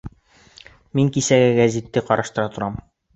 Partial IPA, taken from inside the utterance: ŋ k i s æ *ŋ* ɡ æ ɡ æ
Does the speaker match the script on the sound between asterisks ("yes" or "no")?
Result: no